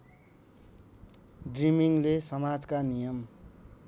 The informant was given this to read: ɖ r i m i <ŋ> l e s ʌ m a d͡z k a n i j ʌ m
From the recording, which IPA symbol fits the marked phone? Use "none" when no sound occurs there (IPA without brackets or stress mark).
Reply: ŋ